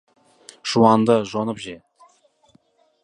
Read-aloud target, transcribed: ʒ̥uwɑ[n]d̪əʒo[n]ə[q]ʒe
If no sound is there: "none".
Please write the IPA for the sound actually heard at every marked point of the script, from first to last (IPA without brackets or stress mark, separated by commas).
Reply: n, n, p